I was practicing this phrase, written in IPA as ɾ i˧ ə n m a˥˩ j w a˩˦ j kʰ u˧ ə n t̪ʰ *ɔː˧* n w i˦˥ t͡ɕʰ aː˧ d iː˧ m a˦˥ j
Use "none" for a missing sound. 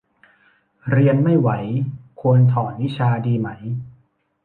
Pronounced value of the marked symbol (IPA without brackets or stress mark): ɔː˩˦